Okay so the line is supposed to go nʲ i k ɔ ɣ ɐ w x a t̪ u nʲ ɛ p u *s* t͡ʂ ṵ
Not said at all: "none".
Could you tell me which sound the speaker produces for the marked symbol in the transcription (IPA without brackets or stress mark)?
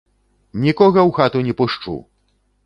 ʂ